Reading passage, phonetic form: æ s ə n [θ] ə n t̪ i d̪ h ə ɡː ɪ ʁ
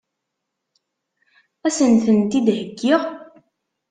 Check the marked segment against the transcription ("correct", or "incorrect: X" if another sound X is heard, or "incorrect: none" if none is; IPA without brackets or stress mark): correct